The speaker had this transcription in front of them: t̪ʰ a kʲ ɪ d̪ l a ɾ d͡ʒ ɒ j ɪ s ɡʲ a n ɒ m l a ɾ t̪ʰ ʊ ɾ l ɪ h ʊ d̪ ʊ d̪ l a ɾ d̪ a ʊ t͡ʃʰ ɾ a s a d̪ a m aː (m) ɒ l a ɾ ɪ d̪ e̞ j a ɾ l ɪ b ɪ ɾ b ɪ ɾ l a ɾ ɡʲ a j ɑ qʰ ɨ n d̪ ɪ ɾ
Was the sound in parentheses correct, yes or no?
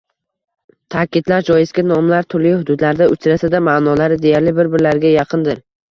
no